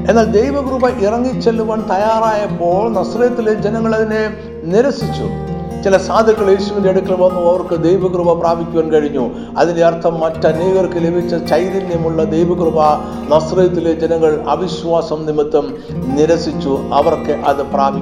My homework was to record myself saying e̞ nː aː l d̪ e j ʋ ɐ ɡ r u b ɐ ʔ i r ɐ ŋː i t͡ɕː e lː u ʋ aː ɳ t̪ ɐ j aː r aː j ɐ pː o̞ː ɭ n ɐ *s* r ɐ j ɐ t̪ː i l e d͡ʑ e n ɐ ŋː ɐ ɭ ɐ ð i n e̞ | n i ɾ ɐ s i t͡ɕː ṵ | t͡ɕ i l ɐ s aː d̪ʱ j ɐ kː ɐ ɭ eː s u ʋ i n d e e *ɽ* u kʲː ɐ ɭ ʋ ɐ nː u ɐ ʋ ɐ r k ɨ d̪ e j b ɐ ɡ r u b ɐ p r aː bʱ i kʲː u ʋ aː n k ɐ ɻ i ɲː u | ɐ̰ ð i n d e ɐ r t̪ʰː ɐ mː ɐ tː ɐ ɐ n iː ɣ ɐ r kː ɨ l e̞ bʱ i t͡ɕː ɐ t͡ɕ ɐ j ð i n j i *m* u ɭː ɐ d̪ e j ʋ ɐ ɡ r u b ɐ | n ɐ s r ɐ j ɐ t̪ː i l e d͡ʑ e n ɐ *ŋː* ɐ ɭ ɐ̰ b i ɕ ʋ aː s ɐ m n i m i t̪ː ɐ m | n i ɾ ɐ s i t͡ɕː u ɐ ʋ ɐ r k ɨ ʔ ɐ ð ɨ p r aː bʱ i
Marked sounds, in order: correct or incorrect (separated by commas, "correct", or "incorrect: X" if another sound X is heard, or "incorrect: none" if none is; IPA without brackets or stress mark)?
correct, correct, correct, correct